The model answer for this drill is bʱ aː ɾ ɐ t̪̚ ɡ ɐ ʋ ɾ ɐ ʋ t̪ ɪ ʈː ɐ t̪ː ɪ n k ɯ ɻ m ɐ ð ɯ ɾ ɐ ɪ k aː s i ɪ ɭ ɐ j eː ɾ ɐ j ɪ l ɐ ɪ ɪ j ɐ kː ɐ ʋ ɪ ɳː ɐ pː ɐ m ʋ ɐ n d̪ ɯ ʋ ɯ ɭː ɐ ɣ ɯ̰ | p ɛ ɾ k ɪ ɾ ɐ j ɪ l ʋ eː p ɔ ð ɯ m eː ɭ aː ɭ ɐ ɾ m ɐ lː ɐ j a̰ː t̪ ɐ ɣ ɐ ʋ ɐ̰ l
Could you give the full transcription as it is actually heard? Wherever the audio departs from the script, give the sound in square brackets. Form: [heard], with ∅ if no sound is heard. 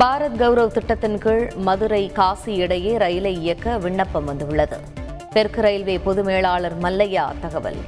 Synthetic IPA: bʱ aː ɾ ɐ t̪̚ ɡ ɐ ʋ ɾ ɐ ʋ t̪ ɪ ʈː ɐ t̪ː ɪ n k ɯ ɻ m ɐ ð ɯ ɾ ɐ ɪ k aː s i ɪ [ɽ] ɐ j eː ɾ ɐ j ɪ l ɐ ɪ ɪ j ɐ kː ɐ ʋ ɪ ɳː ɐ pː ɐ m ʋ ɐ n d̪ ɯ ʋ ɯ ɭː ɐ [ð] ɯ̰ | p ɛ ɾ k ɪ ɾ ɐ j ɪ l ʋ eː p ɔ ð ɯ m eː ɭ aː ɭ ɐ ɾ m ɐ lː ɐ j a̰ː t̪ ɐ ɣ ɐ ʋ ɐ̰ l